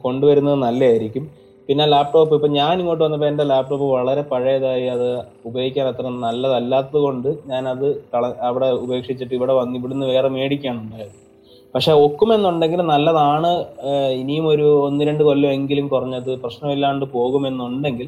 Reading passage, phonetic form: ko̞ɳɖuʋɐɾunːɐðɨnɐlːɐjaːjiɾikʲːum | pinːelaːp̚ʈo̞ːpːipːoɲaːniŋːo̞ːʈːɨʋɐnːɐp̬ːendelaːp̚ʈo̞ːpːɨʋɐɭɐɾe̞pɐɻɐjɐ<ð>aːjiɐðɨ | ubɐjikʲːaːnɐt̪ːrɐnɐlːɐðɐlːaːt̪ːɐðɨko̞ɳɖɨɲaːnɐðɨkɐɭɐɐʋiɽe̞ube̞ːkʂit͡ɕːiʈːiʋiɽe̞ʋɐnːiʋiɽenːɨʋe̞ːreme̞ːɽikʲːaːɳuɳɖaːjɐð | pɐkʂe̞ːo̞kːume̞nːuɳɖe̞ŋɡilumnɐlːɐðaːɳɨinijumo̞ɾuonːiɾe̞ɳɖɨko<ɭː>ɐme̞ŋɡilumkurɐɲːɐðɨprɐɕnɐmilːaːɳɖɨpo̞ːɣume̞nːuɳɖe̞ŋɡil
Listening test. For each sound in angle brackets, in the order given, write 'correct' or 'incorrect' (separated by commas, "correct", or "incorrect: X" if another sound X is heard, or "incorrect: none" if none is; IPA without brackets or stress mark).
correct, incorrect: lː